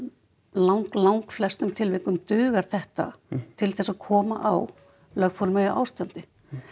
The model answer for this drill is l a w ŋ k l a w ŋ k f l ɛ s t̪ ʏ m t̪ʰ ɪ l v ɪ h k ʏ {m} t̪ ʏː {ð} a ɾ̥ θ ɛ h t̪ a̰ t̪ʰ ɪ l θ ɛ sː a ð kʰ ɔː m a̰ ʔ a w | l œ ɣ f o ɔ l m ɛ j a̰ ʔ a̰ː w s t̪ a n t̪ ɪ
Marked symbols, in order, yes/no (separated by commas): yes, no